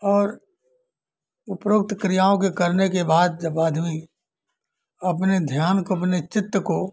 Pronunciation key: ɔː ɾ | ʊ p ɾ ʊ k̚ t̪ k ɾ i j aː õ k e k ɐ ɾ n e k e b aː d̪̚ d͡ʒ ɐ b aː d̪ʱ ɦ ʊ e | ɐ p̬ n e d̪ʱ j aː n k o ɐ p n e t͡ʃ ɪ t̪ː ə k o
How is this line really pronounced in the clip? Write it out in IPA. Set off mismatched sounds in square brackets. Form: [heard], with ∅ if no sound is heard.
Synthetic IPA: ɔː ɾ | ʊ p ɾ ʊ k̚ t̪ k ɾ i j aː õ k e k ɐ ɾ n e k e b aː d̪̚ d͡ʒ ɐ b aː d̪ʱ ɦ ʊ [i] | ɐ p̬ n e d̪ʱ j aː n k o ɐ p n e t͡ʃ ɪ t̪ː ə k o